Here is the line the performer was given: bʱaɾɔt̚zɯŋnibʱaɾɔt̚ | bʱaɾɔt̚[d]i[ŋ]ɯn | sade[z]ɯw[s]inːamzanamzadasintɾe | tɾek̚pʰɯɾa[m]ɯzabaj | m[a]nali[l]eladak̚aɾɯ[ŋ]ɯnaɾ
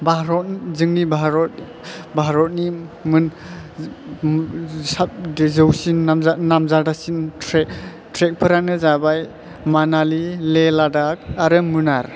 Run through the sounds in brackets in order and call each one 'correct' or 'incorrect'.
incorrect: n, incorrect: m, correct, correct, incorrect: n, correct, correct, incorrect: m

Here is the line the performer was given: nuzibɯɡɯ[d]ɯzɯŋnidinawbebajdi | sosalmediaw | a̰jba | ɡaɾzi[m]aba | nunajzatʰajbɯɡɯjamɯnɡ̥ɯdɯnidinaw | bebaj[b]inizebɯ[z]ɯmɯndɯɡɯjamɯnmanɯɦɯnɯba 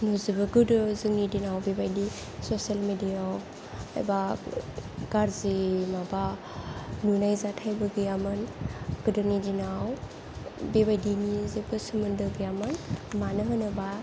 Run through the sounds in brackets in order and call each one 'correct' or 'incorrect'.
correct, correct, incorrect: d, incorrect: s

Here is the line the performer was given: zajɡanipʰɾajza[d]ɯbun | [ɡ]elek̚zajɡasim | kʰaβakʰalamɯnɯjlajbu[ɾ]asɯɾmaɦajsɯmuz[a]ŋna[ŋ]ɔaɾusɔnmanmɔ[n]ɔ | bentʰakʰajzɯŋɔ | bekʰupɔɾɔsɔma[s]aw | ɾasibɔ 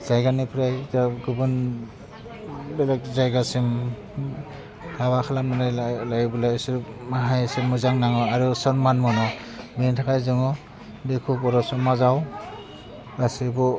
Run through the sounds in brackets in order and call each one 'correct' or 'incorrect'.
incorrect: ɡ, incorrect: b, incorrect: l, correct, correct, correct, incorrect: z

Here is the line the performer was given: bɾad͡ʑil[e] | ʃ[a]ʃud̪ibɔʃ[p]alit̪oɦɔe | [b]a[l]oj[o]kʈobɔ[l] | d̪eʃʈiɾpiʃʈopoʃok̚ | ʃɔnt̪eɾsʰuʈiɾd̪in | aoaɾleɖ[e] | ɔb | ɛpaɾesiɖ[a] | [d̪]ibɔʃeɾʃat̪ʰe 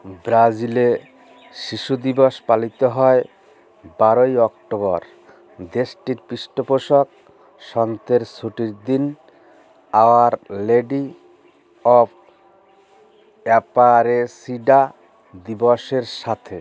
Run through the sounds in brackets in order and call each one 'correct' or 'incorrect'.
correct, incorrect: i, correct, correct, incorrect: ɾ, incorrect: ɔ, incorrect: ɾ, incorrect: i, correct, correct

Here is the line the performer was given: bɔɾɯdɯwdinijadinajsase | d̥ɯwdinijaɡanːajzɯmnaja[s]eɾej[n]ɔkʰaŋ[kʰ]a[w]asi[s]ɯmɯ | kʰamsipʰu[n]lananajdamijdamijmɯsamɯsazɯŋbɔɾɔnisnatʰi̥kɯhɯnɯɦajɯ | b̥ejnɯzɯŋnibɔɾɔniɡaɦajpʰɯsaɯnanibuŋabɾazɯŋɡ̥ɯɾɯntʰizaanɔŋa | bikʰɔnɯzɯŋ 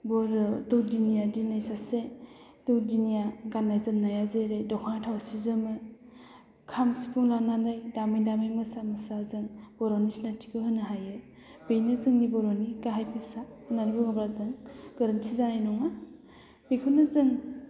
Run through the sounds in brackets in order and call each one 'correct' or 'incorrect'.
incorrect: z, incorrect: d, incorrect: tʰ, correct, incorrect: z, incorrect: ŋ

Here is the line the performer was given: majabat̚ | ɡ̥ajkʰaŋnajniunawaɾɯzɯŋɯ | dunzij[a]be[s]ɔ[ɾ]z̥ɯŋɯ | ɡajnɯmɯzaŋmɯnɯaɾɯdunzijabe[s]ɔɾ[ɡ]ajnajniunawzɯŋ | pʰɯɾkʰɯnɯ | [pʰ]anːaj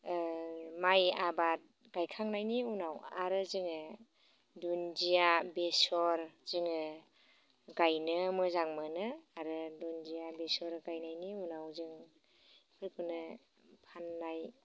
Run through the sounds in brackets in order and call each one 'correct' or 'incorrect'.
correct, correct, correct, correct, correct, correct

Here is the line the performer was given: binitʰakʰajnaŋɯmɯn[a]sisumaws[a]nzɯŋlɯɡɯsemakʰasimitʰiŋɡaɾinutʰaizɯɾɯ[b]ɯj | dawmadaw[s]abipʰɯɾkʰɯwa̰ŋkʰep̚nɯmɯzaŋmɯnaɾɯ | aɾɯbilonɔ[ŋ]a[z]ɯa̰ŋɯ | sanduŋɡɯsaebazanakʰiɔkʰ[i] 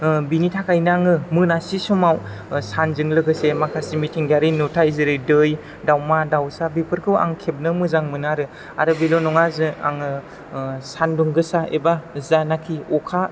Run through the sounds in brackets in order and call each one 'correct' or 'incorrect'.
correct, correct, incorrect: d, correct, correct, correct, incorrect: a

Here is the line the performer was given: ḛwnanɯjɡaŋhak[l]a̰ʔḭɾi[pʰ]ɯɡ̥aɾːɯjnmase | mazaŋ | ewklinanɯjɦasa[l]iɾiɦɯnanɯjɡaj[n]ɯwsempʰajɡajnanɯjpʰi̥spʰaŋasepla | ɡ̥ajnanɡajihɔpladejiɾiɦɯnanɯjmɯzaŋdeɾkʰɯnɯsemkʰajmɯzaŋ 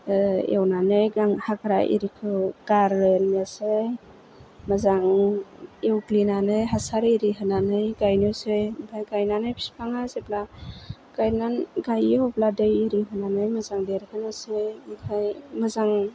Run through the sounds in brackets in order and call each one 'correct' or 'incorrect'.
incorrect: ɾ, incorrect: kʰ, incorrect: ɾ, correct

